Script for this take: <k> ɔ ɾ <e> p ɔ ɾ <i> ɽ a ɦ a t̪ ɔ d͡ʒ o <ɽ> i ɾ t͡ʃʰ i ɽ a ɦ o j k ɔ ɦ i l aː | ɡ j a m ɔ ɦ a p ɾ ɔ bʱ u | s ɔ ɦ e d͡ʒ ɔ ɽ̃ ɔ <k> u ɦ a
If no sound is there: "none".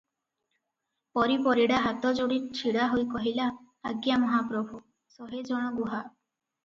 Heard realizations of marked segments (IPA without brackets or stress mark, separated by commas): p, i, i, ɽ, ɡ